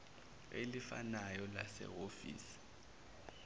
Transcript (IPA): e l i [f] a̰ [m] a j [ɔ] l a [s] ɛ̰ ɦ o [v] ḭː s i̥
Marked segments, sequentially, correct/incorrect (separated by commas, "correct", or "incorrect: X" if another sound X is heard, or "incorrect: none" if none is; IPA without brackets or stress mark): correct, incorrect: n, correct, correct, incorrect: f